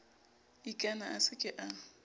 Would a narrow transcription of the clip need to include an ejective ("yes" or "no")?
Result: yes